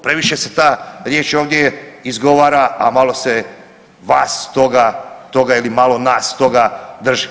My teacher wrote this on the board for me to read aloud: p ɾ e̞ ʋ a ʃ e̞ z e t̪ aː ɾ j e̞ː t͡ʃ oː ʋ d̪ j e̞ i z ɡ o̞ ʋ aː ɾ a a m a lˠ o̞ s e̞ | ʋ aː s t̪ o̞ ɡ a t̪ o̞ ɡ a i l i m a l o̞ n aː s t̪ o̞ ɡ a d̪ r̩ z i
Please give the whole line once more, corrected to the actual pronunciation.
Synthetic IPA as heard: p ɾ e̞ ʋ i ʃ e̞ s e t̪ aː ɾ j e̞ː t͡ʃ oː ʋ d̪ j e̞ i z ɡ o̞ ʋ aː ɾ a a m a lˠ o̞ s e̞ | ʋ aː s t̪ o̞ ɡ a t̪ o̞ ɡ a i l i m a l o̞ n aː s t̪ o̞ ɡ a d̪ r̩ ʒ i